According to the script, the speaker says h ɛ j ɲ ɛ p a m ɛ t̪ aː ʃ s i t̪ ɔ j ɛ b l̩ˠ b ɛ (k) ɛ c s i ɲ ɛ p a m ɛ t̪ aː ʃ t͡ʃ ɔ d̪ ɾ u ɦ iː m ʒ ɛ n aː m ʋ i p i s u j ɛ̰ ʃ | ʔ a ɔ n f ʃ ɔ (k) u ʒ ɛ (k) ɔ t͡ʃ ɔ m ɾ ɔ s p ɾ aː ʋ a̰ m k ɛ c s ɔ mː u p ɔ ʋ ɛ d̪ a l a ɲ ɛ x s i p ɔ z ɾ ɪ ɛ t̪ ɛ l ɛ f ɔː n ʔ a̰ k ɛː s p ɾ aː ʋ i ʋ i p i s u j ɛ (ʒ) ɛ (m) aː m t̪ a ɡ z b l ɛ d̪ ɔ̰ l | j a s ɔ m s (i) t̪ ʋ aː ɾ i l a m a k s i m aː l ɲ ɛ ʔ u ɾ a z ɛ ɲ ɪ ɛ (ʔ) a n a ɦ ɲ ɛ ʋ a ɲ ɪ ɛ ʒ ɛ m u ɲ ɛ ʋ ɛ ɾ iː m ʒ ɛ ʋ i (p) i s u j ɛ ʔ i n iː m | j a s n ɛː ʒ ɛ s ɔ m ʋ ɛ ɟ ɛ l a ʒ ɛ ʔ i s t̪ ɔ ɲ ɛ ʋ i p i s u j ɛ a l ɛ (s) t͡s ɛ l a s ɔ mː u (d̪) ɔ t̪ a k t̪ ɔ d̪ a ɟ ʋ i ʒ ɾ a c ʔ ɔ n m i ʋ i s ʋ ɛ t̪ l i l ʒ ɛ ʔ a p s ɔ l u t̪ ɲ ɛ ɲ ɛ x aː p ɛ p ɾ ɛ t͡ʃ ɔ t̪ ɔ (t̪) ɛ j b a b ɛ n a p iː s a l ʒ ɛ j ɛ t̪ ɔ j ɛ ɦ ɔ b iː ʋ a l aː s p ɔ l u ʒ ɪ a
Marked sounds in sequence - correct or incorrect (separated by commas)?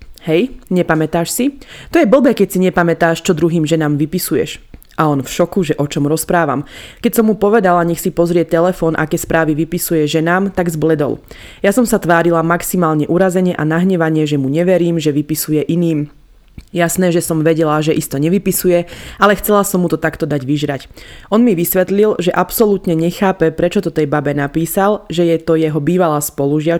correct, correct, incorrect, correct, incorrect, incorrect, correct, correct, incorrect, incorrect, correct